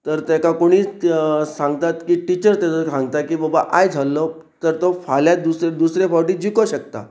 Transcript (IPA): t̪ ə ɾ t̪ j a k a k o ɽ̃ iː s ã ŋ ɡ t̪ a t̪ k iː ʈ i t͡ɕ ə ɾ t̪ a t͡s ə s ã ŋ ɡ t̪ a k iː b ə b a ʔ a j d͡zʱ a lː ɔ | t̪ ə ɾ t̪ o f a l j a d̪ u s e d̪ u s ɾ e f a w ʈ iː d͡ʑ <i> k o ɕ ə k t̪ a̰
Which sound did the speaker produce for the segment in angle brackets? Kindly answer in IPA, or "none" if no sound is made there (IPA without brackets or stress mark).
i